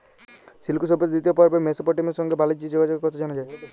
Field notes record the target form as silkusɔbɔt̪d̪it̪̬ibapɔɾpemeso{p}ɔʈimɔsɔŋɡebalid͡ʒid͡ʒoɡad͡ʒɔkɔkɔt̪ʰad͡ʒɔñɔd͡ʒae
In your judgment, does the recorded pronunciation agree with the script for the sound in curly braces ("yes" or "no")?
yes